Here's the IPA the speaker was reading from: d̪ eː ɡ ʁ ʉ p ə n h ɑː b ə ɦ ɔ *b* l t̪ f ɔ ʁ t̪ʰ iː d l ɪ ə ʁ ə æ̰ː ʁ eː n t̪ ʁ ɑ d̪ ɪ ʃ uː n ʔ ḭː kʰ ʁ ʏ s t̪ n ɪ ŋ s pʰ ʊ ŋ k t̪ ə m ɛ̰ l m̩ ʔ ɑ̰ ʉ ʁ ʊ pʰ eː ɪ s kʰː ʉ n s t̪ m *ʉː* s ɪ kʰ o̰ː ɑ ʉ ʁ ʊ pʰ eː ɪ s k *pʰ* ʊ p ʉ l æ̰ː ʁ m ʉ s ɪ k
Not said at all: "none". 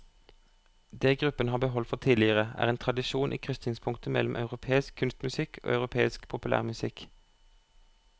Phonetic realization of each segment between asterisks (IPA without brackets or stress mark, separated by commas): none, ʉ, pʰ